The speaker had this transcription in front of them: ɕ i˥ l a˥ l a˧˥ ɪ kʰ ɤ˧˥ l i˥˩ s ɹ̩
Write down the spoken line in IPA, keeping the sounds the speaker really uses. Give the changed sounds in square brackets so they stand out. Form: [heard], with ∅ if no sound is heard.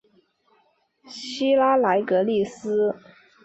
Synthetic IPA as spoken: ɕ i˥ l a˥ l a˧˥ ɪ [k] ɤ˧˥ l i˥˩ s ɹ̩